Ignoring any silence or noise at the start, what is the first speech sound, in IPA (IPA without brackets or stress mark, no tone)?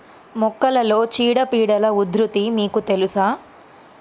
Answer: m